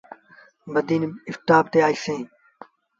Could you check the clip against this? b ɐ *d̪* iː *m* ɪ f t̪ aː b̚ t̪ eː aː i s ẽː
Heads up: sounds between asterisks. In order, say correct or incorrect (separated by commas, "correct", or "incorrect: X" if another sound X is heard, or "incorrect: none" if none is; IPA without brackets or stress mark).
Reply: correct, incorrect: n